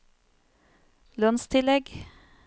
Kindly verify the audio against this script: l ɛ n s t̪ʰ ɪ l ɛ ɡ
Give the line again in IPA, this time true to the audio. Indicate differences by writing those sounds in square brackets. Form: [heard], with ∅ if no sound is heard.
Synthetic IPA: l [œ] n s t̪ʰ ɪ l ɛ ɡ